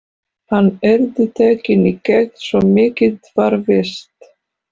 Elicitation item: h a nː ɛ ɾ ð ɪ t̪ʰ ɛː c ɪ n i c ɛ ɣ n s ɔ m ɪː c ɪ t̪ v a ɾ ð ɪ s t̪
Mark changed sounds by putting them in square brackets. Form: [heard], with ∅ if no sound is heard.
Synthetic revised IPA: h a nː ɛ ɾ ð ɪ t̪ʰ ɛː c ɪ n i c ɛ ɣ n s ɔ m ɪː c ɪ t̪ v a ɾ [v] ɪ s t̪